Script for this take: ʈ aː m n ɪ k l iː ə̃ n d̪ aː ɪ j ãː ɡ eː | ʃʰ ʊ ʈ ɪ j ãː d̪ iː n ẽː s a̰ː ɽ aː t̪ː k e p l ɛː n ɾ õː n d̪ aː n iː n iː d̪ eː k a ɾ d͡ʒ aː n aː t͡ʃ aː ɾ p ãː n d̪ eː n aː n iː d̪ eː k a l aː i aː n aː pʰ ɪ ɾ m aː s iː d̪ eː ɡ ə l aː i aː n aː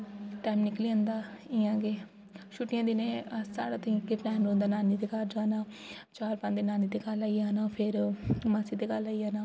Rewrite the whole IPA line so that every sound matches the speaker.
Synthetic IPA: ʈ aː m n ɪ k l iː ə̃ n d̪ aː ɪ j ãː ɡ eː | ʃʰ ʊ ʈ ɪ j ãː d̪ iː n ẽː s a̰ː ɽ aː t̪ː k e p l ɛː n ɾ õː n d̪ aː n aː n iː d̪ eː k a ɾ d͡ʒ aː n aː t͡ʃ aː ɾ p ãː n d̪ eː n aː n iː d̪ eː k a l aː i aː n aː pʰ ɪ ɾ m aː s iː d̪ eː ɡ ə l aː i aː n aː